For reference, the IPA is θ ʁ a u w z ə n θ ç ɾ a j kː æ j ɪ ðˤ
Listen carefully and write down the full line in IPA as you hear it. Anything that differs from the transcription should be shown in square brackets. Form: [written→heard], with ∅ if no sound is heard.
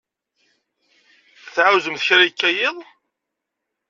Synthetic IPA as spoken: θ [ʁ→ʕ] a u w z ə [n→m] θ ç ɾ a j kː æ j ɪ ðˤ